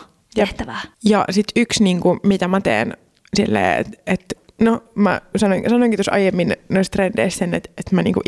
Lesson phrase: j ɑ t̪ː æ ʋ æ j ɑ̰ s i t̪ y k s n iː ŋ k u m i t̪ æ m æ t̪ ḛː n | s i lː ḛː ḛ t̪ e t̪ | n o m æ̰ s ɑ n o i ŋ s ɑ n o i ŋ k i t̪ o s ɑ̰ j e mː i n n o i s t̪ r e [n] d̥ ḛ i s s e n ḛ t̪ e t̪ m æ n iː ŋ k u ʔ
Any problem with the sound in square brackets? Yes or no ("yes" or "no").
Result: no